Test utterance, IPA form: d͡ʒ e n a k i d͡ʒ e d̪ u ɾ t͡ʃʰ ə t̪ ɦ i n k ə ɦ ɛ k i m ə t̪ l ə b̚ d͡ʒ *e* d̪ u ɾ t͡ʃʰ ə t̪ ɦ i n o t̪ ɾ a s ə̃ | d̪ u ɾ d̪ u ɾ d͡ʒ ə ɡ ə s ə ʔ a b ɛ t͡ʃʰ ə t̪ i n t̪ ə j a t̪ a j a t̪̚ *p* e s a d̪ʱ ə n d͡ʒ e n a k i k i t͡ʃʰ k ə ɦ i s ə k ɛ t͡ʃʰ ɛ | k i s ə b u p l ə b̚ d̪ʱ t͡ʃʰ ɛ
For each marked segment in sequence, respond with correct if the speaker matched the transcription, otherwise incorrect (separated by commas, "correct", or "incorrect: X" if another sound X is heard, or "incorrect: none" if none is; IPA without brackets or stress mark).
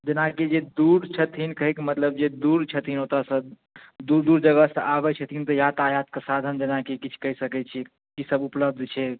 correct, incorrect: k